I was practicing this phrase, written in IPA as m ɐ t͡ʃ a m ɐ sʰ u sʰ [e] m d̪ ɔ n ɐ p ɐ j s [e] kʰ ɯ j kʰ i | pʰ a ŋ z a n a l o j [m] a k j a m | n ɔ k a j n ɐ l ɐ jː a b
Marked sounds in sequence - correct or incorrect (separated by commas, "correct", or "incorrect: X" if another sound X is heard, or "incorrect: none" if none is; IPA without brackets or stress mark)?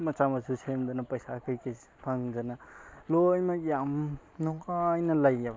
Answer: correct, incorrect: a, correct